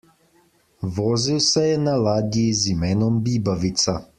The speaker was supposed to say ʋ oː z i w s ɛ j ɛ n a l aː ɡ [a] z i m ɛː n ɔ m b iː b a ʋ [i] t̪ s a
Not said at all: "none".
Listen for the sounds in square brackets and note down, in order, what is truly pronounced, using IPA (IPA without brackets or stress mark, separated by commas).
i, i